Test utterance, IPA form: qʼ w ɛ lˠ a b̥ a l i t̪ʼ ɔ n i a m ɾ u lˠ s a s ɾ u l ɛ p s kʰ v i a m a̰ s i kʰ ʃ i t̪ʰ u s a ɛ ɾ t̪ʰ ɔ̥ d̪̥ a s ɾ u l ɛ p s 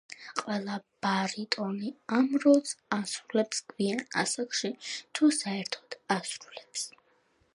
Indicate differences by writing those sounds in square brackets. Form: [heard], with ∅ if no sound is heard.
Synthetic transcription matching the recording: qʼ w ɛ lˠ a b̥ a [ɾ] i t̪ʼ ɔ n i a m ɾ [ɔ] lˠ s a s ɾ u l ɛ p s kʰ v i a [n] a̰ s [a] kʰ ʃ i t̪ʰ u s a ɛ ɾ t̪ʰ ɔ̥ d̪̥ a s ɾ u l ɛ p s